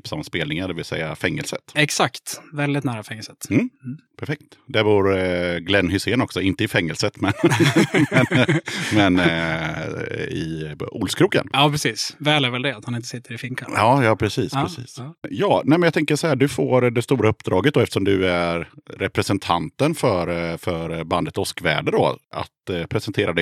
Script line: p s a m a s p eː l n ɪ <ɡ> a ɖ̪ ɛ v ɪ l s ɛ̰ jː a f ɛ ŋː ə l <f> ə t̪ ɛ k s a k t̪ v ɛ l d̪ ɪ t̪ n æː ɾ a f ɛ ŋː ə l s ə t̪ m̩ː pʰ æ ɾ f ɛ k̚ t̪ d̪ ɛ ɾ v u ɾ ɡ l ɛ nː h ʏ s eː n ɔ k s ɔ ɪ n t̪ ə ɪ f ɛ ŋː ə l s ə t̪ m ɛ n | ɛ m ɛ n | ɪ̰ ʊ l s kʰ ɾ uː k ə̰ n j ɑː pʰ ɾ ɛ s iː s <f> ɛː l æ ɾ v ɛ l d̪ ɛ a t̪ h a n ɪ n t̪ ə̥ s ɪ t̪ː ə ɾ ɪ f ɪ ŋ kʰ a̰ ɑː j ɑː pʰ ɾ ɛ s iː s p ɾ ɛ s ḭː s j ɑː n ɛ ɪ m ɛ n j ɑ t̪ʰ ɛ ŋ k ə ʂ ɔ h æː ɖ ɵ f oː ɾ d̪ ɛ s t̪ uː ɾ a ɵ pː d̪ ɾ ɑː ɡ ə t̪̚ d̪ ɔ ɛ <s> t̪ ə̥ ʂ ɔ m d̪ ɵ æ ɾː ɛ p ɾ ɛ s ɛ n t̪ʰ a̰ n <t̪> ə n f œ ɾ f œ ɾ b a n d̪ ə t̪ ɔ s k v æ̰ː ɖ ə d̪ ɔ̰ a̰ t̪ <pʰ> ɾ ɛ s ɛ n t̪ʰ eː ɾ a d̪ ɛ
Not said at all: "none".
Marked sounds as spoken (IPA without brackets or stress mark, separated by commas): ŋ, s, v, f, t̪, pʰ